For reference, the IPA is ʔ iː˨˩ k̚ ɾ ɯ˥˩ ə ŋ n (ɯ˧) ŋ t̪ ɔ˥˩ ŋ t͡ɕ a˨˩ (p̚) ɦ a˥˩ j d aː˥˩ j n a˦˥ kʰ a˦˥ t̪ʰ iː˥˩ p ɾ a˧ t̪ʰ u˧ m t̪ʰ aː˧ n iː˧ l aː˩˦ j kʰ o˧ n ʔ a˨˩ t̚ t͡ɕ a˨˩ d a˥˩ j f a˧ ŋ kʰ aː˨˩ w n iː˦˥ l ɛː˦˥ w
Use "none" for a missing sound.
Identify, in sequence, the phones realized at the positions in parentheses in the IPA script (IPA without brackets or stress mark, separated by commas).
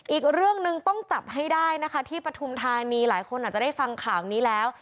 ɯ˧, p̚